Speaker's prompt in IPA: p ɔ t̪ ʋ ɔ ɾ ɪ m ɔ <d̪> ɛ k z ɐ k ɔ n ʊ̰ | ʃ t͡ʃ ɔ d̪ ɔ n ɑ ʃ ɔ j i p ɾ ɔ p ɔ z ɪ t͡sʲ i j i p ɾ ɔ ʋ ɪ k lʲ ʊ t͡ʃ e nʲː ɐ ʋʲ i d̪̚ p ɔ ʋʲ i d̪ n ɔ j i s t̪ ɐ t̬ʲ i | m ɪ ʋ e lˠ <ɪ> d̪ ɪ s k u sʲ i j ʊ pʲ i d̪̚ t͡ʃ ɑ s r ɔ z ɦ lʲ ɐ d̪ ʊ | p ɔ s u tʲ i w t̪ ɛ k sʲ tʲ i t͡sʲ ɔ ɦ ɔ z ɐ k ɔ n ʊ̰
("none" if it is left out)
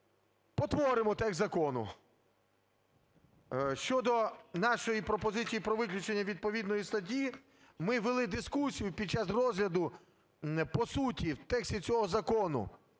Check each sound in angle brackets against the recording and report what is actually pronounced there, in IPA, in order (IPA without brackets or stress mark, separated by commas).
t̪, ɪ